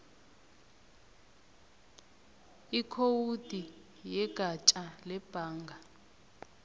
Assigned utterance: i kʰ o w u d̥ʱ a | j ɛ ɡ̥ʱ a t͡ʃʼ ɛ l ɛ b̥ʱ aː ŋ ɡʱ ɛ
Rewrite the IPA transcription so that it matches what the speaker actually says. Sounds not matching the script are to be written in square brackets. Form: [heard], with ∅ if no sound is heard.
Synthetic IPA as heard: i kʰ o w u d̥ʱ [i] | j ɛ ɡ̥ʱ a t͡ʃʼ [a] l ɛ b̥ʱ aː ŋ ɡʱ [a]